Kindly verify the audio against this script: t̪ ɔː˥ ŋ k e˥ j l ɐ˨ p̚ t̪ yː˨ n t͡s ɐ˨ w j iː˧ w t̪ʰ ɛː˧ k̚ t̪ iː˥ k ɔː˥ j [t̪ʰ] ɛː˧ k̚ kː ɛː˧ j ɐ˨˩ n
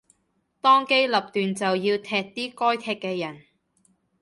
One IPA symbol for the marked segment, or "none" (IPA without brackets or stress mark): t̪ʰ